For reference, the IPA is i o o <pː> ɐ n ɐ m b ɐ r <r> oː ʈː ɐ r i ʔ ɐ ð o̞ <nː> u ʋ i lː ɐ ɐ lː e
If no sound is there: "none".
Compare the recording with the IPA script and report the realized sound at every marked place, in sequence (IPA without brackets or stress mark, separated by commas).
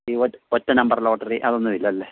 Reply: tː, l, nː